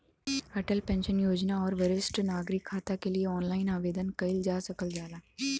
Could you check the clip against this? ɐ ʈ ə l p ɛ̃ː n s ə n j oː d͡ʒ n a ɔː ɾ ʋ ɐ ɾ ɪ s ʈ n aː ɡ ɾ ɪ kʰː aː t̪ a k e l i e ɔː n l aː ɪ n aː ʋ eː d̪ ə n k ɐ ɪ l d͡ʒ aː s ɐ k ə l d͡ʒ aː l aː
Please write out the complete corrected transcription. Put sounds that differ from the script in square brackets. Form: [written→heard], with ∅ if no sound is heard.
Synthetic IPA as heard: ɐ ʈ ə l p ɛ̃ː n [s→ʃ] ə n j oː d͡ʒ n a ɔː ɾ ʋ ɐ ɾ ɪ s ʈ n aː ɡ ɾ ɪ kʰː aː t̪ a k e l i e ɔː n l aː ɪ n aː ʋ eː d̪ ə n k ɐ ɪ l d͡ʒ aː s ɐ k ə l d͡ʒ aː l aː